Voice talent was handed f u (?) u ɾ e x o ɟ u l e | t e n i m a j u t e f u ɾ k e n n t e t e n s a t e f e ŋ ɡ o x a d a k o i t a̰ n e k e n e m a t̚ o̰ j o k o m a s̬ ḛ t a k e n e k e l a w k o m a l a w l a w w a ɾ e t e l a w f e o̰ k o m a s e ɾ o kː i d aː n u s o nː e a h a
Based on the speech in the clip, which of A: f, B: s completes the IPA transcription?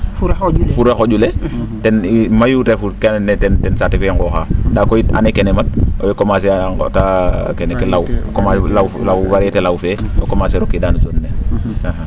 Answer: A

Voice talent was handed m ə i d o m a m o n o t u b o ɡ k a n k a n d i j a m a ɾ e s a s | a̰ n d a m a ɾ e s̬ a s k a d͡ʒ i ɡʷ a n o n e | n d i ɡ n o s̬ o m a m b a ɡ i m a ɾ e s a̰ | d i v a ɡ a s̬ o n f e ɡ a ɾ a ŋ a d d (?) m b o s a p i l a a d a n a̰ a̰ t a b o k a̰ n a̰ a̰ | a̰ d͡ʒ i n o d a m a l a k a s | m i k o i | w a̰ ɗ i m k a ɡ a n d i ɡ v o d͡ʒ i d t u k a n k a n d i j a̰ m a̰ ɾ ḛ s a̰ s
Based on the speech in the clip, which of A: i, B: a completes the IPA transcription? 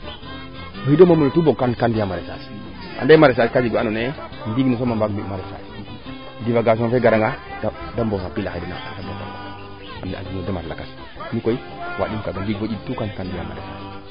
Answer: B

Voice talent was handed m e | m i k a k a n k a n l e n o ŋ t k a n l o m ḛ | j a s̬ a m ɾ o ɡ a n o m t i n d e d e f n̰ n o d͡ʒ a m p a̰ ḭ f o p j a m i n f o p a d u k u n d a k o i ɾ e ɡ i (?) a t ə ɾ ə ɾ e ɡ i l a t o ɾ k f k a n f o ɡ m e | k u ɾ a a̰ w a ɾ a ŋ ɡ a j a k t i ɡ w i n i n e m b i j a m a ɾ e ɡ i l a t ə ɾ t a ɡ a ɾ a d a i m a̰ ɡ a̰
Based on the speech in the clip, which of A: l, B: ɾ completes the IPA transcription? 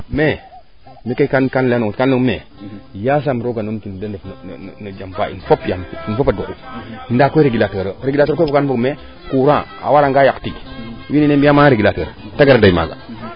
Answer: A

